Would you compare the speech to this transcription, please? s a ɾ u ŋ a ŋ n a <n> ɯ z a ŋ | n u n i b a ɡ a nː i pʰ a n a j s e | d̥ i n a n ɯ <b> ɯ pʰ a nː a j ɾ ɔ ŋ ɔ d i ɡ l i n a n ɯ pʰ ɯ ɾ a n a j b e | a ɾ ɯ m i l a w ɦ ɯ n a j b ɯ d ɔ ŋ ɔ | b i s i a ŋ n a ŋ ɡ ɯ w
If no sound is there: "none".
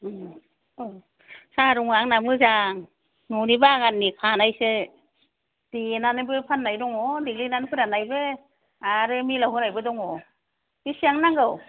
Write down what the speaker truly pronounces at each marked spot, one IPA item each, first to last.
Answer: m, b

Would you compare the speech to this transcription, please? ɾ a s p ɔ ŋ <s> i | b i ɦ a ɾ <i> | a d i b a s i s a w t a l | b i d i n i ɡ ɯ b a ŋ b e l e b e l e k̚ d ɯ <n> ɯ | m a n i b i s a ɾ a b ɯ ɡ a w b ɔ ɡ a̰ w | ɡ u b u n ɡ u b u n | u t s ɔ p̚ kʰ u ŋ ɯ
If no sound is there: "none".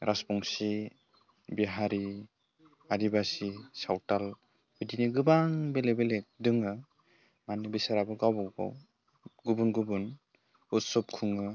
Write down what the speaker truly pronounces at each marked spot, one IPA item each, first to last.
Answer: s, i, ŋ

